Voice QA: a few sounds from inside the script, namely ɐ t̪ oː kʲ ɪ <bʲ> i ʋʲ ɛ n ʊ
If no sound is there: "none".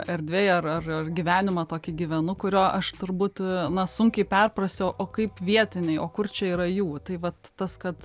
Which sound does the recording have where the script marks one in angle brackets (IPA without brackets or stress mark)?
ɡʲ